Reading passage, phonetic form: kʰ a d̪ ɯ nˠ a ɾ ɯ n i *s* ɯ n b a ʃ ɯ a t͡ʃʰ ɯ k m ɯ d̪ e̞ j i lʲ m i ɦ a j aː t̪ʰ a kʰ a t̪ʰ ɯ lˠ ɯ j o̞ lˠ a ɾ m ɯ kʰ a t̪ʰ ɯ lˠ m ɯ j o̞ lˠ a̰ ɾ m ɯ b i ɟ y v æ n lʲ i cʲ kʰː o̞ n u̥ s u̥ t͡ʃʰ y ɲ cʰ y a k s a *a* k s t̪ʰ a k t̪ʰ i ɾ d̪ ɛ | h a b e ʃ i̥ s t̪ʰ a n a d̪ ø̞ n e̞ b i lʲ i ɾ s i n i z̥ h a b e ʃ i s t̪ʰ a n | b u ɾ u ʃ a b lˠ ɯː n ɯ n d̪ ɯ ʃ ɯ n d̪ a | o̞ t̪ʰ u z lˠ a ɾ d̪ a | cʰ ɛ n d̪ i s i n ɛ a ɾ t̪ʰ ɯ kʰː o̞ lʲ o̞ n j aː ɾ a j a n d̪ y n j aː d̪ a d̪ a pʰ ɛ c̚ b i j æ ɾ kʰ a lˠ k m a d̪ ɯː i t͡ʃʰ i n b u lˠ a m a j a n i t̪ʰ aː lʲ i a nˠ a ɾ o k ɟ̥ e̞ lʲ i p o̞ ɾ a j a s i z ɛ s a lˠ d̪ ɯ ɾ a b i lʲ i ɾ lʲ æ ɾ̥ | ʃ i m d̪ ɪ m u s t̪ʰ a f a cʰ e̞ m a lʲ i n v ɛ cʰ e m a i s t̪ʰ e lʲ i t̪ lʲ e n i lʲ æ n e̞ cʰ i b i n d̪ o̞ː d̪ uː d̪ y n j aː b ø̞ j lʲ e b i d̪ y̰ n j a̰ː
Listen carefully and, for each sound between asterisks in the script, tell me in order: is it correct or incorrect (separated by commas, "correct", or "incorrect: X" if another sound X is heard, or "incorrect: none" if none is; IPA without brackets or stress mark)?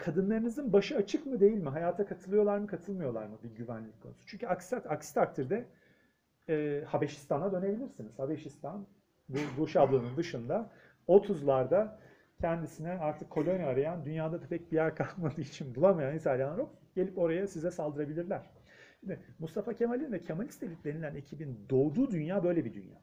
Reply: incorrect: z, correct